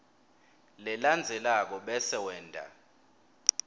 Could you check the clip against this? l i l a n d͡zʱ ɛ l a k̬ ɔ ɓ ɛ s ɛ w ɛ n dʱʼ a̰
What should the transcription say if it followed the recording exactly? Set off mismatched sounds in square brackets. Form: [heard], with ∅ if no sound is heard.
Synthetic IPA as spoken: l [ɛ] l a n d͡zʱ ɛ l a k̬ ɔ ɓ ɛ s ɛ w [ɛː] n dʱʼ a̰